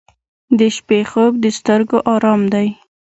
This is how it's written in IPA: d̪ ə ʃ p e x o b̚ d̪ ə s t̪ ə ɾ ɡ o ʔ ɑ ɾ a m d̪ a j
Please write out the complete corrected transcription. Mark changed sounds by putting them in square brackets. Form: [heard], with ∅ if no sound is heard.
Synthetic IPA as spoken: d̪ ə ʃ p e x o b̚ d̪ ə s t̪ ə ɾ ɡ o ʔ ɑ ɾ [ɑ] m d̪ a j